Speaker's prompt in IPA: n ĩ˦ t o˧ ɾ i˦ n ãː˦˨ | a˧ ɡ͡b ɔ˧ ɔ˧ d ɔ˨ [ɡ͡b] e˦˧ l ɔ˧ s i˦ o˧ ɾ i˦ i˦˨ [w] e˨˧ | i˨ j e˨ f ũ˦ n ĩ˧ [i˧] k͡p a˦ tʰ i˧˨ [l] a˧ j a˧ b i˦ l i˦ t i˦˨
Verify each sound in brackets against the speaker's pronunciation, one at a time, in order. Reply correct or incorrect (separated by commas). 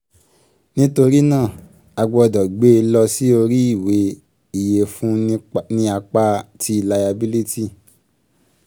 correct, correct, incorrect, correct